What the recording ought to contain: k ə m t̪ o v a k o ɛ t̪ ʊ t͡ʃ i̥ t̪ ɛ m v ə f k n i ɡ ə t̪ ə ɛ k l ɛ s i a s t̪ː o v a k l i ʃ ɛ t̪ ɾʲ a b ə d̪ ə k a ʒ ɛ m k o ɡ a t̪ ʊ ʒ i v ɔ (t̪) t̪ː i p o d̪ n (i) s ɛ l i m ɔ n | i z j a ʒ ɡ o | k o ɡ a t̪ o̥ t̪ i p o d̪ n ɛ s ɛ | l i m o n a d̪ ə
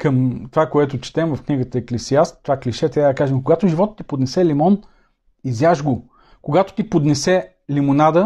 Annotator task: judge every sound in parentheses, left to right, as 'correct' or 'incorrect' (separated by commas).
correct, incorrect